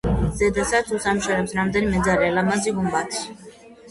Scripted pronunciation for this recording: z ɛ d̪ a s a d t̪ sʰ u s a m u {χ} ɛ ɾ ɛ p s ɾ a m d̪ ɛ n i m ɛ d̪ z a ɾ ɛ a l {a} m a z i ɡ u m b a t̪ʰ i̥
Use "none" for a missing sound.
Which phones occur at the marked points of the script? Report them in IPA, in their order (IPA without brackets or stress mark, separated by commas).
ʃ, a